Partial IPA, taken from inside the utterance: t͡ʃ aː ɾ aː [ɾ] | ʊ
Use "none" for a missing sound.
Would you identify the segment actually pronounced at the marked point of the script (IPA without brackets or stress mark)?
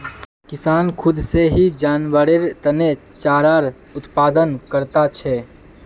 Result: ɾ